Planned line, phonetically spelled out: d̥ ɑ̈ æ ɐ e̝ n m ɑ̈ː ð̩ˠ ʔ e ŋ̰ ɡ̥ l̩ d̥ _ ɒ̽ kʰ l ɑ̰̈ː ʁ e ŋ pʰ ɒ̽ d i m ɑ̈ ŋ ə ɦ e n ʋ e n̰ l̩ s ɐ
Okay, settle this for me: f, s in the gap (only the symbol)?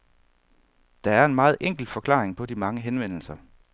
f